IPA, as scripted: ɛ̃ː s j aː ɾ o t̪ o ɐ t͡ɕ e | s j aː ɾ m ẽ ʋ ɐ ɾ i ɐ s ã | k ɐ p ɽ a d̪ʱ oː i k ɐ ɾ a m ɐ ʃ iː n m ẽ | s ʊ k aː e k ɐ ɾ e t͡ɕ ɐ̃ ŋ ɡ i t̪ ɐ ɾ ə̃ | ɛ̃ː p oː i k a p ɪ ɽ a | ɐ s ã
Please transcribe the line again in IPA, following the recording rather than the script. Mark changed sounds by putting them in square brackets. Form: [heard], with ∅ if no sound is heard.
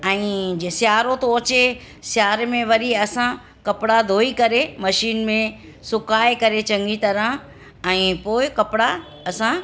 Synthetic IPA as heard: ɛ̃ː s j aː ɾ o t̪ o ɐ t͡ɕ e | s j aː ɾ m ẽ ʋ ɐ ɾ i ɐ s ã | k ɐ p ɽ a d̪ʱ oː i k ɐ ɾ [e] m ɐ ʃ iː n m ẽ | s ʊ k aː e k ɐ ɾ e t͡ɕ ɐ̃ ŋ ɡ i t̪ ɐ ɾ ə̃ | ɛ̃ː p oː [ɪ] k [ɐ] p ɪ ɽ a | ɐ s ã

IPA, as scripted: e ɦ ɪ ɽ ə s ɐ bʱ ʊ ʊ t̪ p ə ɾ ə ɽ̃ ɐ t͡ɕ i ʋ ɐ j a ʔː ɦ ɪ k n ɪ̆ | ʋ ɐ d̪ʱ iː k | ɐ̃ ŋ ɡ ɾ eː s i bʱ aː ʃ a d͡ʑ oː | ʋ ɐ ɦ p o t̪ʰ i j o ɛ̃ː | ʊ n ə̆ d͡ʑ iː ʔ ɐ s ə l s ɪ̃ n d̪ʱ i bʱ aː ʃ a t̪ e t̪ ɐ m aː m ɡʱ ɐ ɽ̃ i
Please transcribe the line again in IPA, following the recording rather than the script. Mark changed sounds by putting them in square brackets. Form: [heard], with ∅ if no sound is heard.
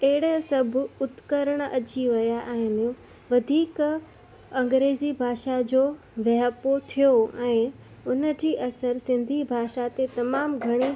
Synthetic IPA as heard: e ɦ ɪ ɽ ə s ɐ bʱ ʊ ʊ t̪ [k] ə ɾ ə ɽ̃ ɐ t͡ɕ i ʋ ɐ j a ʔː ɦ ɪ [∅] n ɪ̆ | ʋ ɐ d̪ʱ iː k | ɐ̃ ŋ ɡ ɾ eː [z] i bʱ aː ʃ a d͡ʑ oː | ʋ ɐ ɦ p o t̪ʰ i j o ɛ̃ː | ʊ n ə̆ d͡ʑ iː ʔ ɐ s ə [ɾ] s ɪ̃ n d̪ʱ i bʱ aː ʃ a t̪ e t̪ ɐ m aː m ɡʱ ɐ ɽ̃ i

